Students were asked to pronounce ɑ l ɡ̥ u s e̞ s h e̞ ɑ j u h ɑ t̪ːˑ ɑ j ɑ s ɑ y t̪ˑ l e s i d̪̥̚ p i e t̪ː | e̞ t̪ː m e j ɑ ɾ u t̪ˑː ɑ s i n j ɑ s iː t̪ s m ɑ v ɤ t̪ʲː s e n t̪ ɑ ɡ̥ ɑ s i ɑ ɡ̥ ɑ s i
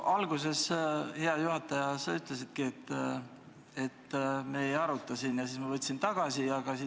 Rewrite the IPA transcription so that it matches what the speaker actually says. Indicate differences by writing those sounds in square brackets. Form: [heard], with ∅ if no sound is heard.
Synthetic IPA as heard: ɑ l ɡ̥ u s e̞ s h e̞ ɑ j u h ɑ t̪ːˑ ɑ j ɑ s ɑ y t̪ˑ l e s i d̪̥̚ [k] i e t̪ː | e̞ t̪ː m e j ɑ ɾ u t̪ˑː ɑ s i n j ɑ s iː [∅] s m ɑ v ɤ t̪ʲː s [i] n t̪ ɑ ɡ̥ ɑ s i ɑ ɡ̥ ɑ s i